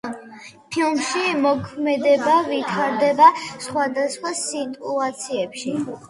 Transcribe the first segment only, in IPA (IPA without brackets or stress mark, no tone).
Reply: pʰ